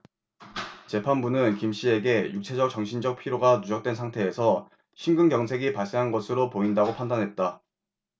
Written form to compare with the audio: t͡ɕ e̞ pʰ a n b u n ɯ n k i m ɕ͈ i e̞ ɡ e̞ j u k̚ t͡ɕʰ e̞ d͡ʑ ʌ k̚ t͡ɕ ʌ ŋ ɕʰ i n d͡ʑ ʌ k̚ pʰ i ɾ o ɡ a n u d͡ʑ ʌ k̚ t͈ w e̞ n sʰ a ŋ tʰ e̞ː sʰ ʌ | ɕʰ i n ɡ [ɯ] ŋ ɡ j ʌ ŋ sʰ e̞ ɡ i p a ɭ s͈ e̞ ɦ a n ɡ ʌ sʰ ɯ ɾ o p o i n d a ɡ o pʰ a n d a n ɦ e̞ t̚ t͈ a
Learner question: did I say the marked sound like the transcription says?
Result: yes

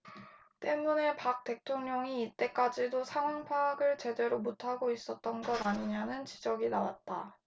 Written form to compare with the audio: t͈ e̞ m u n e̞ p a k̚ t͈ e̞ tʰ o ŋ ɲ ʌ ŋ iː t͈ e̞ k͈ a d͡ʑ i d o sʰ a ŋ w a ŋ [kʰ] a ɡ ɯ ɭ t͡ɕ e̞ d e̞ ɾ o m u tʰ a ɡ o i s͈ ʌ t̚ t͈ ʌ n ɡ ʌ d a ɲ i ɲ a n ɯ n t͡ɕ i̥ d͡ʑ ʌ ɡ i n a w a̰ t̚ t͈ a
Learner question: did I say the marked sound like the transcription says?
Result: no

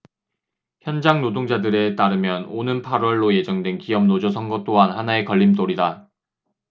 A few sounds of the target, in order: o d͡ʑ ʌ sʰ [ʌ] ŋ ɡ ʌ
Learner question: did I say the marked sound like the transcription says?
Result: yes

